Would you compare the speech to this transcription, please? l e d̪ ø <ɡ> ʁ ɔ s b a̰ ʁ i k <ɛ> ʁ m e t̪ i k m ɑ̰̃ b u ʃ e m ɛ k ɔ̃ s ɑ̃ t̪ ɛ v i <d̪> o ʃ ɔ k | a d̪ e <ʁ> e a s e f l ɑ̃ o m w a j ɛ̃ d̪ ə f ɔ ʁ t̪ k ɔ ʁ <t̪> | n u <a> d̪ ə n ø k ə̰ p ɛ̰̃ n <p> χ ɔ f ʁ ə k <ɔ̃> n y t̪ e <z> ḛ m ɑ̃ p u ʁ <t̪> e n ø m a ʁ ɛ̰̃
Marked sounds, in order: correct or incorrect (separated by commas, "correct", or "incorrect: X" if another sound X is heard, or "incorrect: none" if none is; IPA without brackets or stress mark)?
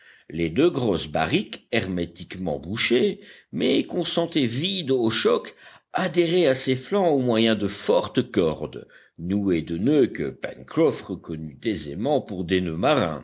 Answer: correct, correct, correct, correct, incorrect: d̪, incorrect: e, incorrect: k, incorrect: ɔ, correct, incorrect: d̪